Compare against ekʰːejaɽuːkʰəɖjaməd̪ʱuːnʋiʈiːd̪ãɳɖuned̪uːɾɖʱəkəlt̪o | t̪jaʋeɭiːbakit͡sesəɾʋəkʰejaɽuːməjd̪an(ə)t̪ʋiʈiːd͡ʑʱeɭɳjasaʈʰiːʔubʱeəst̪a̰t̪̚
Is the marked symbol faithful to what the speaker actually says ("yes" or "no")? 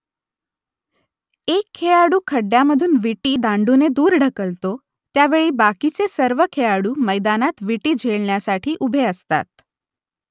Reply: no